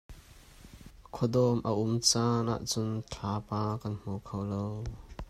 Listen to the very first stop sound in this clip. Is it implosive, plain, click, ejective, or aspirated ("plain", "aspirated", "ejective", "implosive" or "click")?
aspirated